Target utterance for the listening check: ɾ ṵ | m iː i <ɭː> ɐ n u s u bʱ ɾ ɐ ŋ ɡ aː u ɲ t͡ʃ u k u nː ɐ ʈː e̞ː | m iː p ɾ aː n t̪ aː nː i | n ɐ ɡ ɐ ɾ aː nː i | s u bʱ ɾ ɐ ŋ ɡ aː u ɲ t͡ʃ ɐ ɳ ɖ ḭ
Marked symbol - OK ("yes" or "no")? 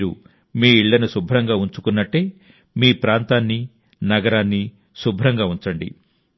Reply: yes